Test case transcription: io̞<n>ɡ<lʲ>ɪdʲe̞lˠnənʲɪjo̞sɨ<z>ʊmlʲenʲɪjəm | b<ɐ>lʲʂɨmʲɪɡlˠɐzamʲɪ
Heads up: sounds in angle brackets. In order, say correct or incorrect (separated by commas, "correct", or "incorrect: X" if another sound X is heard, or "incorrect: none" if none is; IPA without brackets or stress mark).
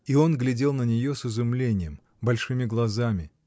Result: correct, correct, correct, correct